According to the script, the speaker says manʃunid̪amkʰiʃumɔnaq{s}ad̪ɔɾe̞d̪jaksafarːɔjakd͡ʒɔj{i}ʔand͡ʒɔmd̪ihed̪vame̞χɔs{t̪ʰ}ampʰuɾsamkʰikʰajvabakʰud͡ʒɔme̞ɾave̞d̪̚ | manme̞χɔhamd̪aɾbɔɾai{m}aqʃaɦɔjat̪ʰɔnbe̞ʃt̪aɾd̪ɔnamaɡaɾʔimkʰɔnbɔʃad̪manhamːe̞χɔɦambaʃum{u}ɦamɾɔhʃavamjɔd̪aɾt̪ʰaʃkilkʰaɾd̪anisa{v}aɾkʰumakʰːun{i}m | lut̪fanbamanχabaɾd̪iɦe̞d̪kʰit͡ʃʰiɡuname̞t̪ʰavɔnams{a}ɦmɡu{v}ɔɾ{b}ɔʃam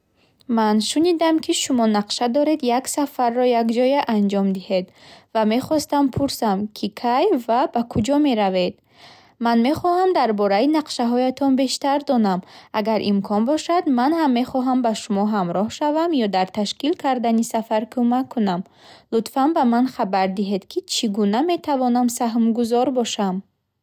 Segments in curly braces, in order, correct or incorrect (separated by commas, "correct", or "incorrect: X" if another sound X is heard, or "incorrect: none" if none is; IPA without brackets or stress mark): incorrect: ʃ, incorrect: a, incorrect: t̪, incorrect: n, incorrect: ɔ, incorrect: f, incorrect: a, correct, incorrect: z, correct